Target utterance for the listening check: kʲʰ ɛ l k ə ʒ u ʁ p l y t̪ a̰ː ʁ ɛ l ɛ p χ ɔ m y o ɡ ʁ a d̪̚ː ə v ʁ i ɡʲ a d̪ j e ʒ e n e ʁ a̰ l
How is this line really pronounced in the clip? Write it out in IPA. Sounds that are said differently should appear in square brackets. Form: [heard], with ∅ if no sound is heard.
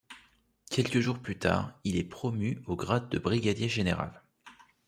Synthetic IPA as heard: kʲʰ ɛ l k ə ʒ u ʁ p l y t̪ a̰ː ʁ [i] l ɛ p χ ɔ m y o ɡ ʁ a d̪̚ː ə [b] ʁ i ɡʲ a d̪ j e ʒ e n e ʁ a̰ l